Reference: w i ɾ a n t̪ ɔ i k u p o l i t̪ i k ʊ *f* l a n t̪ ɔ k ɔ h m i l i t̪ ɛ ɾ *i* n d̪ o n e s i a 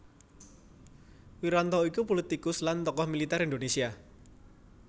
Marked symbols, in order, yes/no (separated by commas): no, yes